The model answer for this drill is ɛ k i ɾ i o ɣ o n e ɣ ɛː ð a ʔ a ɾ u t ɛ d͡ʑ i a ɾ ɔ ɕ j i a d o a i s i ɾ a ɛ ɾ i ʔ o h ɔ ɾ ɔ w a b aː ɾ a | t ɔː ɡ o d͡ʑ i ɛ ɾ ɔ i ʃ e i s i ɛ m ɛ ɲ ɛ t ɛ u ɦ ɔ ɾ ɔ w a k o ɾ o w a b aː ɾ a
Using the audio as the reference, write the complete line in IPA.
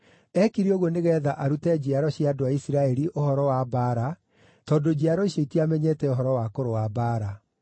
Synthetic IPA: ɛ k i ɾ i o ɣ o n e ɣ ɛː ð a ʔ a ɾ u t ɛ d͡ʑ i a ɾ ɔ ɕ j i a d o a i s i ɾ a ɛ ɾ i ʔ o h ɔ ɾ ɔ w a b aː ɾ a | t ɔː d o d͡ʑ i a ɾ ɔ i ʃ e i t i a m ɛ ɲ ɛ t ɛ o ɦ ɔ ɾ ɔ w a k o ɾ o w a b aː ɾ a

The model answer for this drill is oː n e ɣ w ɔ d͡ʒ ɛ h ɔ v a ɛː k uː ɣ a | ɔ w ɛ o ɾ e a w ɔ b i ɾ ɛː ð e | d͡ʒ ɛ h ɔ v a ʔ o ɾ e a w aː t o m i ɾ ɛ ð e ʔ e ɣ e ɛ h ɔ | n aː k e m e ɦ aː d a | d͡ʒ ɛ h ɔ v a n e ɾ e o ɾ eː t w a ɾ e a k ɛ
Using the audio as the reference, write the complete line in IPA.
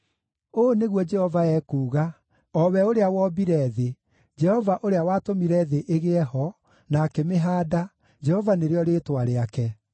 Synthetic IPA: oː n e ɣ w ɔ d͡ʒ ɛ h ɔ v a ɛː k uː ɣ a | ɔ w ɛ o ɾ e a w ɔ b i ɾ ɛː ð e | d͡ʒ ɛ h ɔ v a ʔ o ɾ e a w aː t o m i ɾ ɛ ð e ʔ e ɣ e ɛ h ɔ | n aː k e m e ɦ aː d a | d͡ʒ ɛ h ɔ v a n e ɾ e ɔ ɾ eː t w a ɾ e a k ɛ

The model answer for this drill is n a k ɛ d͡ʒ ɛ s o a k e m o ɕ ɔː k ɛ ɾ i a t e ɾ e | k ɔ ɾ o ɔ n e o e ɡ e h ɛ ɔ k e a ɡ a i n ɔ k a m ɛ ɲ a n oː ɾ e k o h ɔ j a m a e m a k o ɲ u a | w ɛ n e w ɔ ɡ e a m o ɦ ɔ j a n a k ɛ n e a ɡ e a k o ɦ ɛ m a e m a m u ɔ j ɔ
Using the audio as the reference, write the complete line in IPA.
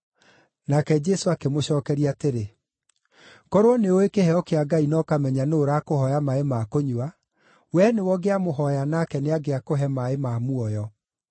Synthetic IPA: n a k ɛ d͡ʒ ɛ s o a k e m o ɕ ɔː k ɛ ɾ i a t e ɾ e | k ɔ ɾ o ɔ n e o e k e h ɛ ɔ k e a ɡ a i n ɔ k a m ɛ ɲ a n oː ɾ a k o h ɔ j a m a e m a k o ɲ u a | w ɛ n e w ɔ ɡ e a m o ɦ ɔ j a n a k ɛ n e a ɡ e a k o ɦ ɛ m a e m a m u ɔ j ɔ

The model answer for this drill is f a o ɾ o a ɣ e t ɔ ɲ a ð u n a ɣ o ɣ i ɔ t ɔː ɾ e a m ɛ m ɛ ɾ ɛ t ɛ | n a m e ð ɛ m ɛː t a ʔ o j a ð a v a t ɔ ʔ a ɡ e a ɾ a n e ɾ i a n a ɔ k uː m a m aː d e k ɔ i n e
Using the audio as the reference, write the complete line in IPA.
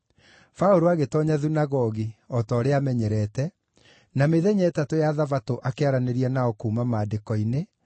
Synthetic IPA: f a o ɾ o a ɣ e t ɔ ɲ a ð u n a ɣ ɔ ɣ i ɔ t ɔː ɾ e a m ɛ ɲ ɛ ɾ ɛ t ɛ | n a m e ð ɛ ɲ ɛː t a t o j a ð a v a t o ʔ a k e a ɾ a n e ɾ i a n a ɔ k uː m a m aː d e k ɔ i n e

